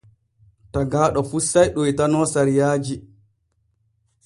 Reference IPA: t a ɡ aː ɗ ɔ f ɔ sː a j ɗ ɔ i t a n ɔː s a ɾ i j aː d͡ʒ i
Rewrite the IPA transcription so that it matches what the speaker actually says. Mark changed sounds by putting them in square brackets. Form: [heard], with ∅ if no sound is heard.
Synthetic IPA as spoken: t a ɡ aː ɗ ɔ f [u] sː a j ɗ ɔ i t a n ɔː s a ɾ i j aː d͡ʒ i

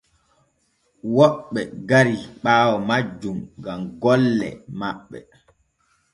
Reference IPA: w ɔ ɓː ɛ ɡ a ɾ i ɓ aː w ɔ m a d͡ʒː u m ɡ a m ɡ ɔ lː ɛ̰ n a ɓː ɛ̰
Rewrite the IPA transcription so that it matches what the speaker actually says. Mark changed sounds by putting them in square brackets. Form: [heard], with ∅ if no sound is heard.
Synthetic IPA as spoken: w ɔ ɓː ɛ ɡ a ɾ i ɓ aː w ɔ m a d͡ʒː u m ɡ a m ɡ ɔ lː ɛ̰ [m] a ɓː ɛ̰

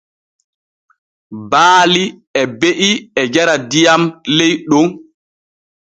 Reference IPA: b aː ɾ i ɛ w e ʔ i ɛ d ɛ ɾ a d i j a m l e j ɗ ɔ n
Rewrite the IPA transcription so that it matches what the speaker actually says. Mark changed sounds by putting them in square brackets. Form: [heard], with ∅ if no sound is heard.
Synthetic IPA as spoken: b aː [l] i ɛ [b] e ʔ i ɛ [d͡ʒ] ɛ ɾ a d i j a m l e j ɗ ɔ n

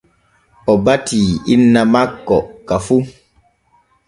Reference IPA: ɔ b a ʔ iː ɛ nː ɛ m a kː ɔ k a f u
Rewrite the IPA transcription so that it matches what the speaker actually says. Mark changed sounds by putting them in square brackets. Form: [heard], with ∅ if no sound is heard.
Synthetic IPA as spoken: ɔ b a [t] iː [i] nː [a] m a kː ɔ k a f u

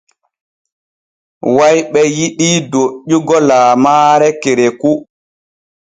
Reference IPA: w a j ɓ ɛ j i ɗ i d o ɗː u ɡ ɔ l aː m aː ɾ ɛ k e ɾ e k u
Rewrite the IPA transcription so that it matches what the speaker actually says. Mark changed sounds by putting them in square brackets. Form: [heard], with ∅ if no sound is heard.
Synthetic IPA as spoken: w a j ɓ ɛ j i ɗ i d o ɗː u ɡ ɔ l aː m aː ɾ ɛ k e ɾ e k u

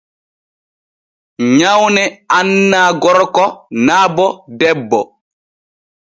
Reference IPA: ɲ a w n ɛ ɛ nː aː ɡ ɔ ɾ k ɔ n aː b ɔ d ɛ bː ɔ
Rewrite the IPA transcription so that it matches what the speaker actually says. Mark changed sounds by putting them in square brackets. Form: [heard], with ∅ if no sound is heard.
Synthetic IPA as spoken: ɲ a w n ɛ [a] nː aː ɡ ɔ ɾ k ɔ n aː b ɔ d ɛ bː ɔ

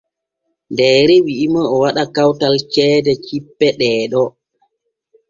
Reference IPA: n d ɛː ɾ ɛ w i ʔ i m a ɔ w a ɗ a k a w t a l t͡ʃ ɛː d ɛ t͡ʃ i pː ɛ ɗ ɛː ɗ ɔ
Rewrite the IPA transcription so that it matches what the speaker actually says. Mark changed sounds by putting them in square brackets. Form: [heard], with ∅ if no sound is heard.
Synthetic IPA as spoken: n d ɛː ɾ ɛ w i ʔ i m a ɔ w a ɗ a k a w t a l t͡ʃ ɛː d ɛ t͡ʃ i pː ɛ ɗ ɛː ɗ ɔ

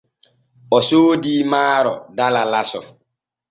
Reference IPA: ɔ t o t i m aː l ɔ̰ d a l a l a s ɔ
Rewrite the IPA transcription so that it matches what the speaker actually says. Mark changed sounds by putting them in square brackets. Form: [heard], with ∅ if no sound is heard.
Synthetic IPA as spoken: ɔ [s] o [d] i m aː [ɾ] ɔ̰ d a l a l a s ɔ

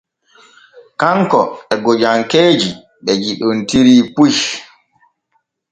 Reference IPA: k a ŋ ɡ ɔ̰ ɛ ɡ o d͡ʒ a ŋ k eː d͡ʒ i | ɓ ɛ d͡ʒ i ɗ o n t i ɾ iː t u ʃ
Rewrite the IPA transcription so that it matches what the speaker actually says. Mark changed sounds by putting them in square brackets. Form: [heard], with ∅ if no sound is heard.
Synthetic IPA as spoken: k a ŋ [k] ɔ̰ ɛ ɡ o d͡ʒ a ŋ k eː d͡ʒ i | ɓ ɛ d͡ʒ i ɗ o n t i ɾ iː [p] u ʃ

